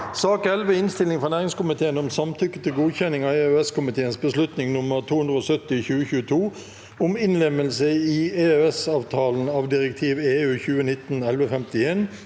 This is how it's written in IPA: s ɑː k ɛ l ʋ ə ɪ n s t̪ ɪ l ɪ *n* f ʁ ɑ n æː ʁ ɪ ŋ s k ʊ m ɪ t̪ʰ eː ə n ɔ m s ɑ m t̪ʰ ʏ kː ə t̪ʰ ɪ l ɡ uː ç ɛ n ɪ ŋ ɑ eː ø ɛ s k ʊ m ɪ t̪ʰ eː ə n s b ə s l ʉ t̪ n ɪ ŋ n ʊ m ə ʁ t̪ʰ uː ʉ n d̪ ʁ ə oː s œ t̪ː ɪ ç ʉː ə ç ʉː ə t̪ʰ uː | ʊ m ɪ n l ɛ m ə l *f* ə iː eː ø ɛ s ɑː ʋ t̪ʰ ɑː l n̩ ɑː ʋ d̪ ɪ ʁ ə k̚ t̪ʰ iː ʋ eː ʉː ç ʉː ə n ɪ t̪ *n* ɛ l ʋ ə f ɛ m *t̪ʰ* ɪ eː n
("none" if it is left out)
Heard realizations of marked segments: ŋ, s, n, t̪

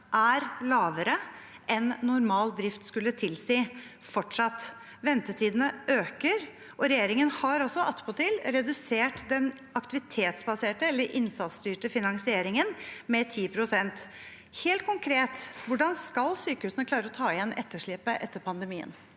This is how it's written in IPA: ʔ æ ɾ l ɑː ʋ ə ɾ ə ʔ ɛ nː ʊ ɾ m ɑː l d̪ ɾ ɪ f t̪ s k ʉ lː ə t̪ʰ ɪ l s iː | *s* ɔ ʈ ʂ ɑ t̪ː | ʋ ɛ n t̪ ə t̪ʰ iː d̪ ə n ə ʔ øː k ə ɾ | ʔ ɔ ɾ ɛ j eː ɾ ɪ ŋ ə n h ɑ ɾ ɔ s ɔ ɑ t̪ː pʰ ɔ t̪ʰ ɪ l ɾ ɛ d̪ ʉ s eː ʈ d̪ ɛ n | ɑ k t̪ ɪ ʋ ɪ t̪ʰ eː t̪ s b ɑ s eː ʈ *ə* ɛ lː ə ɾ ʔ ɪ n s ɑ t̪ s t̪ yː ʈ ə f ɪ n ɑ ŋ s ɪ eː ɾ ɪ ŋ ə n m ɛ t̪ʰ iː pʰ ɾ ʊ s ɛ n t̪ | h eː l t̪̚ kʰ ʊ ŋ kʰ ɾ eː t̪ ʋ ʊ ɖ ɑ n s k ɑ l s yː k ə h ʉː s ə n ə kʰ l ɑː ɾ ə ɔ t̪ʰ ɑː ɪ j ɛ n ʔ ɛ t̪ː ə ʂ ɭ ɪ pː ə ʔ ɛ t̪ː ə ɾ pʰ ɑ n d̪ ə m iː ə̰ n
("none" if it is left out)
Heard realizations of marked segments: f, ə

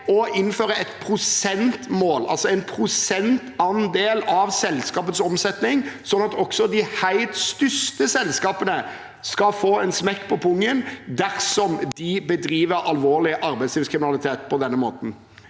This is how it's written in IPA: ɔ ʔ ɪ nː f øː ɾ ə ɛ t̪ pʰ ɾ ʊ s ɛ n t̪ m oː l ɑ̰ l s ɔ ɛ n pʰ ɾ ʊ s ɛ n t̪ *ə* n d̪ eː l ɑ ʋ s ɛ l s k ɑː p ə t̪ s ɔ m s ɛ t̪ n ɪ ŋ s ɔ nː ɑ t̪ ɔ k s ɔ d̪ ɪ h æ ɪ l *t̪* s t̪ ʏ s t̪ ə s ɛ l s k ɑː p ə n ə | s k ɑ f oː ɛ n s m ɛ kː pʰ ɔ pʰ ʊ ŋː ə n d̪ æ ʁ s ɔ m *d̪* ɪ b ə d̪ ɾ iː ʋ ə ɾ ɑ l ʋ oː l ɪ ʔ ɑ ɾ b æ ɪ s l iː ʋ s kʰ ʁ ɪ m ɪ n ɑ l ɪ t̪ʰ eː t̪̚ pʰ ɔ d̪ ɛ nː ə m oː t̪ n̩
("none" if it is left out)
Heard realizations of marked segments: ɑ, t̪, d̪

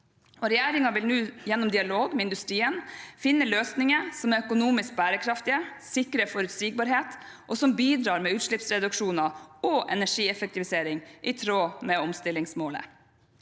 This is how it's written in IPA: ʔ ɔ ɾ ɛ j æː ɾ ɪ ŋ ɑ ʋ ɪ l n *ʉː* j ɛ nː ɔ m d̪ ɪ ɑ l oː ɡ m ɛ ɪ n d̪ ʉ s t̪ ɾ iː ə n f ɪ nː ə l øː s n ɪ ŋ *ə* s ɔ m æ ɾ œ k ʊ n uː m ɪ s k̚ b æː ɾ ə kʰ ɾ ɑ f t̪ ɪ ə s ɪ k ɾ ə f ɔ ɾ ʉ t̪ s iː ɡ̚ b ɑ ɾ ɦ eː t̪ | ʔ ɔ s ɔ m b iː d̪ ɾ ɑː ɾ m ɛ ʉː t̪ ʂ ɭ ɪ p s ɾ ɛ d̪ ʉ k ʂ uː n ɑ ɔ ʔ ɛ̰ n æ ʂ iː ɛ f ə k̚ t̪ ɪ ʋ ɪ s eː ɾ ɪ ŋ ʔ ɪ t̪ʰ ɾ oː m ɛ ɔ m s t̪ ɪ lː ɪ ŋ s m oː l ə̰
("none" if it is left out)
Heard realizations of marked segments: ʉː, ə

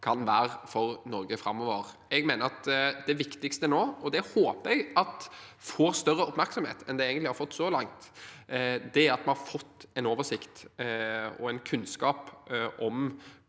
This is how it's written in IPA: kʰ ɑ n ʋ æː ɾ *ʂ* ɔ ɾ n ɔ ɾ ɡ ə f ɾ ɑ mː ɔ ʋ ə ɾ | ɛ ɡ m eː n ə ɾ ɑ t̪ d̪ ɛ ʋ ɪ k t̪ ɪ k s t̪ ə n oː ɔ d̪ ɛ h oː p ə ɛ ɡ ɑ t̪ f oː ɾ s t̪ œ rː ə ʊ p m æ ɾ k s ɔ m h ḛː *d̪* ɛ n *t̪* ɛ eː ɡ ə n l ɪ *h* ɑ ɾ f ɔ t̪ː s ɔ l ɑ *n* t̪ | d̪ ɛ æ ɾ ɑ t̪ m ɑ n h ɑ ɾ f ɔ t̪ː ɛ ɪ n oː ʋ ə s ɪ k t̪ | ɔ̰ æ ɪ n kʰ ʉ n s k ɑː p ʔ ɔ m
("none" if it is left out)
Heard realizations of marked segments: f, t̪, d̪, h, ŋ

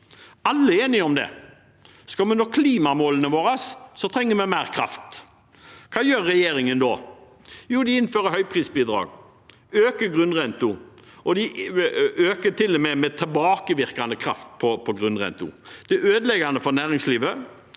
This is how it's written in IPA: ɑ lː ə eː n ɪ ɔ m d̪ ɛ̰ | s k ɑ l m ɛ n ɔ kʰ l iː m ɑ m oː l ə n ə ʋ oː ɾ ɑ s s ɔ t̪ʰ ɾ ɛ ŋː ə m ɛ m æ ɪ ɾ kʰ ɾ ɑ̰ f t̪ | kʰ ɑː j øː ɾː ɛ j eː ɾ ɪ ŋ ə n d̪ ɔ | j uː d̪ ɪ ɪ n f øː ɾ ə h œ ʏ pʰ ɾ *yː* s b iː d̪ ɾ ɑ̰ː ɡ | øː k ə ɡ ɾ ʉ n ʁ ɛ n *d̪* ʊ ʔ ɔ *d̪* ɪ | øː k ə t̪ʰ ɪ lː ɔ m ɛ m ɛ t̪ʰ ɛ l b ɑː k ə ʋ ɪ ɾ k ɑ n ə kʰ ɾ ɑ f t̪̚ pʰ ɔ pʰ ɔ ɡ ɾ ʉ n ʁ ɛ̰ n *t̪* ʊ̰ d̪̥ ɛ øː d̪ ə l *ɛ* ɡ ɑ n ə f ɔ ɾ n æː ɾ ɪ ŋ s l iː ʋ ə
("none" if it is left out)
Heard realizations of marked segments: iː, t̪, d̪, t̪, ɛ

